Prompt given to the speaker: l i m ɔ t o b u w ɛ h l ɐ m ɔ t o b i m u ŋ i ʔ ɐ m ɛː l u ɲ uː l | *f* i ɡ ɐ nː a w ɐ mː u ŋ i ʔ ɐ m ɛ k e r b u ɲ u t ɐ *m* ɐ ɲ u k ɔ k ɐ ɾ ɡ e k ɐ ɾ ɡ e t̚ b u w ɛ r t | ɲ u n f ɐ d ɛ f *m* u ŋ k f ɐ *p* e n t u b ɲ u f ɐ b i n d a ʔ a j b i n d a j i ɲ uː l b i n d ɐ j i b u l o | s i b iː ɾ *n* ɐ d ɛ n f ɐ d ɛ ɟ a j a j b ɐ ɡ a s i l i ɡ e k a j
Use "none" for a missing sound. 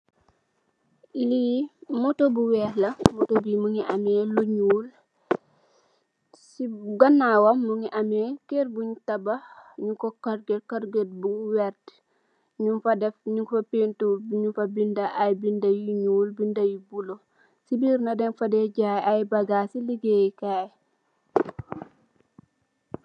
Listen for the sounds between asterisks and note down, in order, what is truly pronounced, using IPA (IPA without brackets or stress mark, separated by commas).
s, b, ɲ, p, n